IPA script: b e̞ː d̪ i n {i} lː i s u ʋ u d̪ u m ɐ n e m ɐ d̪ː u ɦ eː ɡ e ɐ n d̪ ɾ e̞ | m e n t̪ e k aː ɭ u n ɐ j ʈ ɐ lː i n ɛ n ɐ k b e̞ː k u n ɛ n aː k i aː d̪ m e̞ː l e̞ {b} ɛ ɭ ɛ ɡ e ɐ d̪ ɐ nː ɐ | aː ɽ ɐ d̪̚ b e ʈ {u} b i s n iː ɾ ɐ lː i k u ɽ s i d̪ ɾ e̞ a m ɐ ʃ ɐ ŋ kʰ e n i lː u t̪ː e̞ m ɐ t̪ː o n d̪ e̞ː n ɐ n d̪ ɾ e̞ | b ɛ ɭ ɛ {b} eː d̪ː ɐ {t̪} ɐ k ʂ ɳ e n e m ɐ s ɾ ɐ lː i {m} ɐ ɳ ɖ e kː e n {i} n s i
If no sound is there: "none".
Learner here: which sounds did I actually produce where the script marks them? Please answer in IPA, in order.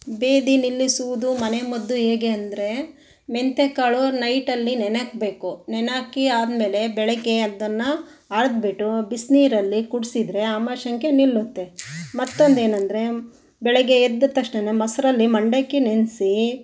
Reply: i, b, u, ɡ, t̪, m, e

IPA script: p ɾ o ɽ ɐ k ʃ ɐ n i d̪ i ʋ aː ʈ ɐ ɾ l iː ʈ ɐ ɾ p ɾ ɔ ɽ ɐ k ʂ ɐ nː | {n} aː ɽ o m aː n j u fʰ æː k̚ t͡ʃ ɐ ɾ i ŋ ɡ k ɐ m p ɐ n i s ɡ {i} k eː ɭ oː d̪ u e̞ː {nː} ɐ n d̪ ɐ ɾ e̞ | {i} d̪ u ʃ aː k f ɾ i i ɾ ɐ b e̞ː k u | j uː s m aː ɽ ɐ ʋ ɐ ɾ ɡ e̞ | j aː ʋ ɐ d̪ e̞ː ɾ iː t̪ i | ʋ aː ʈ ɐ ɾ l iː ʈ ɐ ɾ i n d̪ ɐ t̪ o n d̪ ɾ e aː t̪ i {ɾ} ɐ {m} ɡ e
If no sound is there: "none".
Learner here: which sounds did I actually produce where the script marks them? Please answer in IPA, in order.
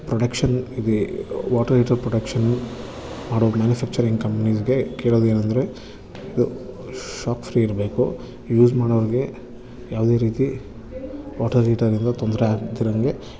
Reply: m, e, n, i, ɾ, ŋ

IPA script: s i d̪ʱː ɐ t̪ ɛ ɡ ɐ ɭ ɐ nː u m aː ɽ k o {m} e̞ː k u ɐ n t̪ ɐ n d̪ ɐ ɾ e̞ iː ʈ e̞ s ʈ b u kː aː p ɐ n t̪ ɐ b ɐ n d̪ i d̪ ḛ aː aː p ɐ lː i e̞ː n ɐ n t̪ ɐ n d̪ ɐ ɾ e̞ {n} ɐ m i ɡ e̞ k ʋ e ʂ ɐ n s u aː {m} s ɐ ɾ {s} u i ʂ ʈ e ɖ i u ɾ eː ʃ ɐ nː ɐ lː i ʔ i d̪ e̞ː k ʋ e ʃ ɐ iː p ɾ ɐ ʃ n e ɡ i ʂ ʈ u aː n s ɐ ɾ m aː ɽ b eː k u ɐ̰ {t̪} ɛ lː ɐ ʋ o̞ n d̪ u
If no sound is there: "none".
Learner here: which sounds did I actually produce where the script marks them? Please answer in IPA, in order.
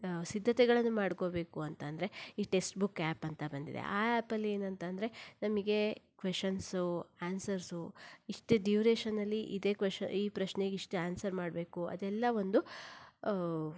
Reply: b, n, n, s, d̪

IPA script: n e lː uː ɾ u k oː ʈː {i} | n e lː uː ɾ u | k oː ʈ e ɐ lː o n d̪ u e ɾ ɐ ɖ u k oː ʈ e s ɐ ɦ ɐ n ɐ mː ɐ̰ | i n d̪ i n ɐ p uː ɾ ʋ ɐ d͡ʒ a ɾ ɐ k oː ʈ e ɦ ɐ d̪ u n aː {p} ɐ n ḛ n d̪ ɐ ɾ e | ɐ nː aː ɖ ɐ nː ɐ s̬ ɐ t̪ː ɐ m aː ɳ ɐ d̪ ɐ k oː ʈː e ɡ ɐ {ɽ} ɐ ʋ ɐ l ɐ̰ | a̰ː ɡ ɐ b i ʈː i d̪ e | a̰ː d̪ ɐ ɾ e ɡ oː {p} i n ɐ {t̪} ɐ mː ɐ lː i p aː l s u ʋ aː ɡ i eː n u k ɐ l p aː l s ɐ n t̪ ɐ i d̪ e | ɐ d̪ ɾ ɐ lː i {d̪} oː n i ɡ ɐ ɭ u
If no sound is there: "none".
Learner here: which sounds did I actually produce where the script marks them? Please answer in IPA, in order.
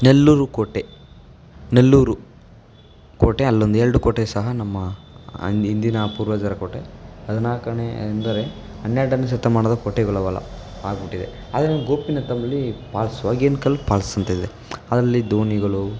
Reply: e, k, ɭ, p, t̪, d̪

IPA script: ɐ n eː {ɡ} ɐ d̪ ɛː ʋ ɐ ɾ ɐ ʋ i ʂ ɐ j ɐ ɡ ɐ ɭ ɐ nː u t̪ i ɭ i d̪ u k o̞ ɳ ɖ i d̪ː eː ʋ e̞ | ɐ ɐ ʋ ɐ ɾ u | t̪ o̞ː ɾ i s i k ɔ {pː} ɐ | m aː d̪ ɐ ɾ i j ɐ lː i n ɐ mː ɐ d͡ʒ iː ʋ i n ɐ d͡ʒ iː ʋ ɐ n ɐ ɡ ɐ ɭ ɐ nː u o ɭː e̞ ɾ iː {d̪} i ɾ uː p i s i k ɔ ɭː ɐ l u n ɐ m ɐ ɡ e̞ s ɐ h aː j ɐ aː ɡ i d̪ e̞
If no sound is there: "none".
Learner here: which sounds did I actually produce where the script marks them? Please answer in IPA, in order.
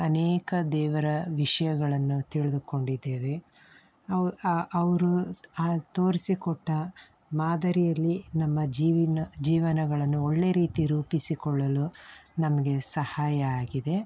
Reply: k, ʈː, t̪

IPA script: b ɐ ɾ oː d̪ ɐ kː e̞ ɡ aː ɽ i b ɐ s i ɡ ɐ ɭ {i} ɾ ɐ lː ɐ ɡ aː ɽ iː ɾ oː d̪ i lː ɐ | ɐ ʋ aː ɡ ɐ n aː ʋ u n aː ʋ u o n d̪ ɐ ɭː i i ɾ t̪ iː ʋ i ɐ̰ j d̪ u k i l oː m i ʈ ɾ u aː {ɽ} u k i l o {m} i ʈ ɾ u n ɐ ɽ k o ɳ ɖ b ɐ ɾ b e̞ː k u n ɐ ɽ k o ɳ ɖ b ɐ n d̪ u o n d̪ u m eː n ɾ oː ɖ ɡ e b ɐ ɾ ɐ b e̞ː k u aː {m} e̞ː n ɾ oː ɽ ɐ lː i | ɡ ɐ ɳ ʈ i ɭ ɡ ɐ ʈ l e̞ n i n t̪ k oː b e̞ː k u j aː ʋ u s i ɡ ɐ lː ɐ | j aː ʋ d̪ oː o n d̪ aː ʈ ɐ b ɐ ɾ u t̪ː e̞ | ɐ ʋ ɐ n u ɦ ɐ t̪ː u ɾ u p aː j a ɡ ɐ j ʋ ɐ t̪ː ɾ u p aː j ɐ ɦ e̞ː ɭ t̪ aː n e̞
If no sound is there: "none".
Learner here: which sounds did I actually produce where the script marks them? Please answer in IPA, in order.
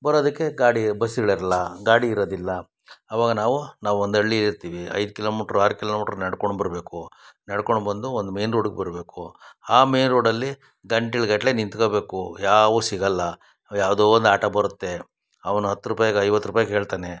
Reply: i, ɾ, m, m

